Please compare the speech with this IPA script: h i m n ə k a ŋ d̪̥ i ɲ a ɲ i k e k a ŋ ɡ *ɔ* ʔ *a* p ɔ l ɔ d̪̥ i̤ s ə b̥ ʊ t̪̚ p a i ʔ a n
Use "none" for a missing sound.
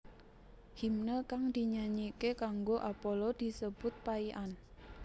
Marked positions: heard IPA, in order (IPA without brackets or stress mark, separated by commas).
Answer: o, a